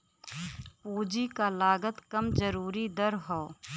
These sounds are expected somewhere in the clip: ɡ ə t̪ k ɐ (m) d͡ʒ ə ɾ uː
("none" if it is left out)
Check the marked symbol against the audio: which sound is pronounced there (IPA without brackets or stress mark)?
m